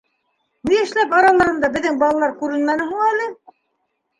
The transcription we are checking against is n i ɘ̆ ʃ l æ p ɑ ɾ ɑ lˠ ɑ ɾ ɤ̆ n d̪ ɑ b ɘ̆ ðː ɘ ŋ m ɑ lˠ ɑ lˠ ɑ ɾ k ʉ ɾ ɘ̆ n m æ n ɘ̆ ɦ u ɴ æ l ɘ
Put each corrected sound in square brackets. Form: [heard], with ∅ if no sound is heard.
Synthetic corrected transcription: n i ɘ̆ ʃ l æ p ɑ ɾ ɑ lˠ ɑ ɾ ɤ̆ n d̪ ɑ b ɘ̆ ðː ɘ ŋ [b] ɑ lˠ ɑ lˠ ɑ ɾ k ʉ ɾ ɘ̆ n m æ n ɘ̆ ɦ u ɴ æ l ɘ